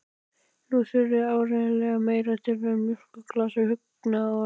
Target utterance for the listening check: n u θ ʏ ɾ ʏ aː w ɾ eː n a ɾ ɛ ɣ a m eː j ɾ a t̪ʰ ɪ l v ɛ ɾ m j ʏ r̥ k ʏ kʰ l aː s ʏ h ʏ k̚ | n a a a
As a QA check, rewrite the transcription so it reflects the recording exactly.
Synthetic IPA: n u θ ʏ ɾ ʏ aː w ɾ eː n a l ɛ ɣ a m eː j ɾ a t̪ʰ ɪ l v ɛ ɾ m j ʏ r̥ k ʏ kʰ l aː s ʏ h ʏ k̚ | n a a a